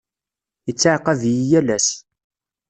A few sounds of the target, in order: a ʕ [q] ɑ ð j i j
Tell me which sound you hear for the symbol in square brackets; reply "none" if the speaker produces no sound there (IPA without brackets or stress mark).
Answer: q